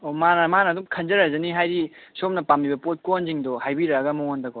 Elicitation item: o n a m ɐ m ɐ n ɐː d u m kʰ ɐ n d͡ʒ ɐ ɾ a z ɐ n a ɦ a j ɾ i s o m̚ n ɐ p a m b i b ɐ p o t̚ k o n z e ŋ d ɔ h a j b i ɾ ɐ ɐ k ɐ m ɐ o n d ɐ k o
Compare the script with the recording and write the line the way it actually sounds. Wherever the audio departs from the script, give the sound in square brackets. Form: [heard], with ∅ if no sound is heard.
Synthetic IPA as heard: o [m] a [n] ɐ m [a] n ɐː d u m kʰ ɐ n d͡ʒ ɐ ɾ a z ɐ n [i] ɦ a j ɾ i s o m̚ n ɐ p a m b i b ɐ p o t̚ k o n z [i] ŋ d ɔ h a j b i ɾ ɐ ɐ [ɡ] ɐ m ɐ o n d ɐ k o

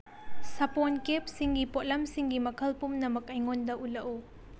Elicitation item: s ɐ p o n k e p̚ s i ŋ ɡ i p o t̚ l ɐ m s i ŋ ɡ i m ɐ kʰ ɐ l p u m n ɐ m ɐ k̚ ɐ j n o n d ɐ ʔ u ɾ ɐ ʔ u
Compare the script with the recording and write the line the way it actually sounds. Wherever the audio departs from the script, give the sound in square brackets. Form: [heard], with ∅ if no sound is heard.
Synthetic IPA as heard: s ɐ p o n k e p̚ s i ŋ ɡ i p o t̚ l ɐ m s i ŋ ɡ i m ɐ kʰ ɐ l p u m n ɐ m ɐ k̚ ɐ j [ŋ] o n d ɐ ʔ u [l] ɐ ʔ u

